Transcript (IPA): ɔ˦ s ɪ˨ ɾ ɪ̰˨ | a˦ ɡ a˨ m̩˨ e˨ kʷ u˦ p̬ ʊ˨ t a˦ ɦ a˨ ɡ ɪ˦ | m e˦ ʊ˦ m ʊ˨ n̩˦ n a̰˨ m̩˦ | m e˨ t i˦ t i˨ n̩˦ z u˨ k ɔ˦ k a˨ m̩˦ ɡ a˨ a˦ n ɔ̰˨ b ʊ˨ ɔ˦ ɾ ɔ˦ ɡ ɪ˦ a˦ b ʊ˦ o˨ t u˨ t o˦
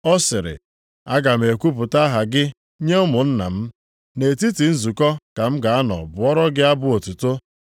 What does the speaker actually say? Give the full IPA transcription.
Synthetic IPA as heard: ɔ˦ s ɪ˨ ɾ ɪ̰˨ | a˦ ɡ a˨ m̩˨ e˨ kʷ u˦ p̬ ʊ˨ t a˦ ɦ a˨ ɡ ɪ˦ | ɲ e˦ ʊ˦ m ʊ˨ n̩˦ n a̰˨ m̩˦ | n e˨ t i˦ t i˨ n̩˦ z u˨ k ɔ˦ k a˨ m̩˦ ɡ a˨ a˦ n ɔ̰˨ b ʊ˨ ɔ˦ ɾ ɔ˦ ɡ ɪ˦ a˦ b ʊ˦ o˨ t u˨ t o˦

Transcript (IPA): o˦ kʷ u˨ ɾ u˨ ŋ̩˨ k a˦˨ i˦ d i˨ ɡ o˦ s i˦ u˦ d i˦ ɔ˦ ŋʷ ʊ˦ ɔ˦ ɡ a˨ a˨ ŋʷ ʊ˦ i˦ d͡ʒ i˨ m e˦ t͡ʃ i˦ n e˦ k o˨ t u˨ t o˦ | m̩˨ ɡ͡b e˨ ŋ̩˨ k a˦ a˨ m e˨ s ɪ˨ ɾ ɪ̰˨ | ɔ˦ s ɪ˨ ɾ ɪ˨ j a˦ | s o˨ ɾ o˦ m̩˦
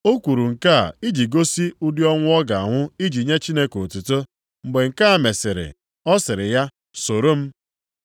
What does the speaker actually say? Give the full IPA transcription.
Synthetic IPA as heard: o˦ kʷ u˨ ɾ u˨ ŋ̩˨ k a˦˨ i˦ d͡ʒ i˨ ɡ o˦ s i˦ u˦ d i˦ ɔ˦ ŋʷ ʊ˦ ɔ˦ ɡ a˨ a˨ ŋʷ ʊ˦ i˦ d͡ʒ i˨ ɲ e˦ t͡ʃ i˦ n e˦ k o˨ t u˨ t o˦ | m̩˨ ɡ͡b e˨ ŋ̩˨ k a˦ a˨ m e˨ s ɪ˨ ɾ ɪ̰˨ | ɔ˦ s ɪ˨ ɾ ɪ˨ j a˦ | s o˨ ɾ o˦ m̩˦

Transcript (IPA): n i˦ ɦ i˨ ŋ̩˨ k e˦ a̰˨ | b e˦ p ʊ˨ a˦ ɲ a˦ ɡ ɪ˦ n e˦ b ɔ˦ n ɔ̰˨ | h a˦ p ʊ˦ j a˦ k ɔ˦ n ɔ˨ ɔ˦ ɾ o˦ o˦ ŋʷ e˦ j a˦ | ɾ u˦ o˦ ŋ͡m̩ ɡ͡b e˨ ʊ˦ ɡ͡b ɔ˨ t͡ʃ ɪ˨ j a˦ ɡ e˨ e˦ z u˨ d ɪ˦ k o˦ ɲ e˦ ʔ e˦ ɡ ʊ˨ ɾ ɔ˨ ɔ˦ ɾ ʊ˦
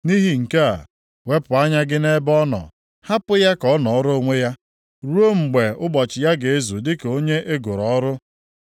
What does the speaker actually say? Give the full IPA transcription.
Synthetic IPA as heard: n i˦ ɦ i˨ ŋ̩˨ k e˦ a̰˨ | w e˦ p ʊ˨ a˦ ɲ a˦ ɡ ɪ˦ n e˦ b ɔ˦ n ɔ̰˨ | h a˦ p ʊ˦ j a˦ k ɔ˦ n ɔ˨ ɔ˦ ɾ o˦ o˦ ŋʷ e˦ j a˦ | ɾ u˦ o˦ ŋ͡m̩ ɡ͡b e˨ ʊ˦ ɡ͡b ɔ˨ t͡ʃ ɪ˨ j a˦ ɡ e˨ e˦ z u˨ d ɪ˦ k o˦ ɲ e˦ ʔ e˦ ɡ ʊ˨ ɾ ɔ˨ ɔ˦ ɾ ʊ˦

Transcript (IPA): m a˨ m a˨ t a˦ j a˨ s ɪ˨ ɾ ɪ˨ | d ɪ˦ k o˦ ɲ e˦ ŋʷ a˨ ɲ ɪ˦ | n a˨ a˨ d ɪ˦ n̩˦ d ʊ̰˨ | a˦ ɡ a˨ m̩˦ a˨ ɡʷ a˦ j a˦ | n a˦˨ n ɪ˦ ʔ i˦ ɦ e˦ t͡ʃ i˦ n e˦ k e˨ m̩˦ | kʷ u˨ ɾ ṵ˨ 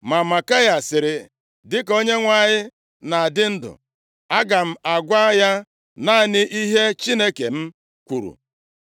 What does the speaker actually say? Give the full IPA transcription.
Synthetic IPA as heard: m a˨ m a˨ k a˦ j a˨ s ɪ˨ ɾ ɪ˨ | d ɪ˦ k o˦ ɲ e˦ ŋʷ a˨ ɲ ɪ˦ | n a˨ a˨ d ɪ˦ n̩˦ d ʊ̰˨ | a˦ ɡ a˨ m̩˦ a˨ ɡʷ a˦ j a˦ | n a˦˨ n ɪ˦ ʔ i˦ ɦ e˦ t͡ʃ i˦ n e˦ k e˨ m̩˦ | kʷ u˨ ɾ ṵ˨

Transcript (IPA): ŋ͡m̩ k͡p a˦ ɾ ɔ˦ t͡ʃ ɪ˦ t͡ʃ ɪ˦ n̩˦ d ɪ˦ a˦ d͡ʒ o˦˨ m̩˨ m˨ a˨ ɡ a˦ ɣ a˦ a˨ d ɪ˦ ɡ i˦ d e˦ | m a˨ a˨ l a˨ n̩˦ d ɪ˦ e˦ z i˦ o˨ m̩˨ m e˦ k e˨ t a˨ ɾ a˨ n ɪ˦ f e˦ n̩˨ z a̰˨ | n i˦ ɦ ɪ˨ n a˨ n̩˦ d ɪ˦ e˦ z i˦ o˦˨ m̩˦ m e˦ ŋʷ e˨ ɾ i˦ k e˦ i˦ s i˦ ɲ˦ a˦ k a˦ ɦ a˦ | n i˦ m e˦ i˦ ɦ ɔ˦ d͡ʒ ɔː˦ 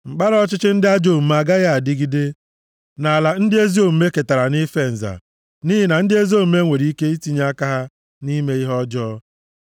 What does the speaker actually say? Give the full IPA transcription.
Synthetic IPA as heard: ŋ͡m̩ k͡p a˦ ɾ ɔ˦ t͡ʃ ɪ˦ t͡ʃ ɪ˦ n̩˦ d ɪ˦ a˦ d͡ʒ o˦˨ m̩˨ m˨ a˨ ɡ a˦ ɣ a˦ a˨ d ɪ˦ ɡ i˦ d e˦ | n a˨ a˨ l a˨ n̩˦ d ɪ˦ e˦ z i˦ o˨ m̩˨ m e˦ k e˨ t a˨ ɾ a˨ n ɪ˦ f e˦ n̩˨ z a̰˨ | n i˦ ɦ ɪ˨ n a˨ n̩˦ d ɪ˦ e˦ z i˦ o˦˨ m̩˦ m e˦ ŋʷ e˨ ɾ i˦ k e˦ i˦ t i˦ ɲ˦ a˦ k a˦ ɦ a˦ | n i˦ m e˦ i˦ ɦ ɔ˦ d͡ʒ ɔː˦

